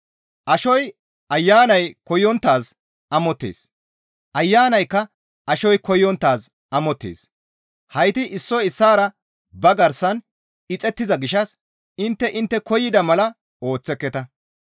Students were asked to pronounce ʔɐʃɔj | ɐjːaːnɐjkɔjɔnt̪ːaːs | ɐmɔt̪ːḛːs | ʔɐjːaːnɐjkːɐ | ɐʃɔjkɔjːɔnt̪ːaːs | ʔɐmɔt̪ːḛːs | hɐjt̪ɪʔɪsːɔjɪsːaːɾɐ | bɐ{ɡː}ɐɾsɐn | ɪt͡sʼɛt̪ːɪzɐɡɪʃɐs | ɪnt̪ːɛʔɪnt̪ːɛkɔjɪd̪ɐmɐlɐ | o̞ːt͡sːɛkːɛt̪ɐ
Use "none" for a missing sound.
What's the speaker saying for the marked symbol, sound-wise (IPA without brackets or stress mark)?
ɡ